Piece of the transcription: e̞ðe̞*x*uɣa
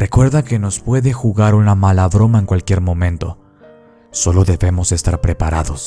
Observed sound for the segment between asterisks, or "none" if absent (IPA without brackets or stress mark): x